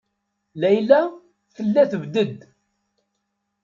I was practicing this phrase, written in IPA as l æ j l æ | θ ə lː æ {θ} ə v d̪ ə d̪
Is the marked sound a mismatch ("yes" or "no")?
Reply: no